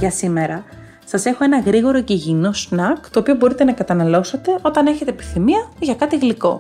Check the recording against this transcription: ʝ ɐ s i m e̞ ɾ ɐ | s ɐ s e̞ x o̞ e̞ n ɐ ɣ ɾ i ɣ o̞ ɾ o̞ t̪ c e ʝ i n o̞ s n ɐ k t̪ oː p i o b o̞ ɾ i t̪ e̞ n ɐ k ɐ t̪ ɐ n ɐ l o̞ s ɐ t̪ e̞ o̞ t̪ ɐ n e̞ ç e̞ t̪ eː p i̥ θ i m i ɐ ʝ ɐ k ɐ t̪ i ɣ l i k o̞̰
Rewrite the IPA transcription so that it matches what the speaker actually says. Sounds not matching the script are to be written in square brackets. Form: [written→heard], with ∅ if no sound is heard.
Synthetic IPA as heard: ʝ ɐ s i m e̞ ɾ ɐ | s ɐ s e̞ x o̞ e̞ n ɐ ɣ ɾ i ɣ o̞ ɾ o̞ [t̪→∅] c e ʝ i n o̞ s n ɐ k t̪ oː p i o b o̞ ɾ i t̪ e̞ n ɐ k ɐ t̪ ɐ n ɐ l o̞ s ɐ t̪ e̞ o̞ t̪ ɐ n e̞ ç e̞ t̪ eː p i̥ θ i m i ɐ ʝ ɐ k ɐ t̪ i ɣ l i k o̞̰